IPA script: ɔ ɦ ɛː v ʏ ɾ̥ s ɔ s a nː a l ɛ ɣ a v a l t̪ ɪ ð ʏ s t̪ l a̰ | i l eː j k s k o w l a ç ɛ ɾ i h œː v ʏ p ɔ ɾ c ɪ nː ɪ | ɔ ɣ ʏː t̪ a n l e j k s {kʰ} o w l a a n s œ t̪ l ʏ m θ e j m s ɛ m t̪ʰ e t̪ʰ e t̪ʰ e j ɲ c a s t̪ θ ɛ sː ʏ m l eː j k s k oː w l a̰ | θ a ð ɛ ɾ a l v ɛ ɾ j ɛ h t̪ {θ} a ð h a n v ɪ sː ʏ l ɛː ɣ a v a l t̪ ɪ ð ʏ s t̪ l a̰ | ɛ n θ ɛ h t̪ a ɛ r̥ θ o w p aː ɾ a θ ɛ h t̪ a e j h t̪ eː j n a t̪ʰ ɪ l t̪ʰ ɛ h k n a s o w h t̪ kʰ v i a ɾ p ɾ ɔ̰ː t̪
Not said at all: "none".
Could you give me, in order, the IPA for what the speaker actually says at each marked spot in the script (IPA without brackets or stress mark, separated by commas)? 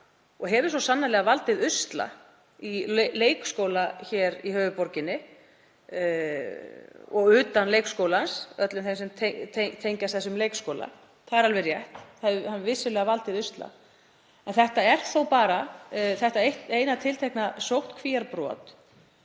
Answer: k, θ